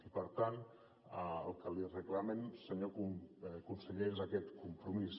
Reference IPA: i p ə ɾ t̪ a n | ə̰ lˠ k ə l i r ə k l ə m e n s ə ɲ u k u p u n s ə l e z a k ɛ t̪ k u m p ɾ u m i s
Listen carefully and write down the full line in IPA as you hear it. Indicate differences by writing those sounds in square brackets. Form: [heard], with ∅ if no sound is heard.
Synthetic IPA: i p ə ɾ t̪ a n | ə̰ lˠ k ə l i r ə k l [a] m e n s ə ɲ [o] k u [k] u n s ə [ʎ] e z a k ɛ t̪ k u m p ɾ u m i s